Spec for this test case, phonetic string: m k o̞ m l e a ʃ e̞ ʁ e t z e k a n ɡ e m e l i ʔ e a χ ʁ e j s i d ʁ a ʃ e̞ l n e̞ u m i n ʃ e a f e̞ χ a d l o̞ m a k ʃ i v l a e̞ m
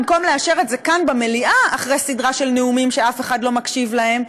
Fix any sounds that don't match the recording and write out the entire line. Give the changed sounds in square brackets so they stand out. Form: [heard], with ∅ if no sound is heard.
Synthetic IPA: m k o̞ m l e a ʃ e̞ ʁ e t z e k a n [b] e m e l i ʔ [a] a χ ʁ e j s i d ʁ a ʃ e̞ l n e̞ u m i [m] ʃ e a f e̞ χ a d l o̞ m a k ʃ i v l a e̞ m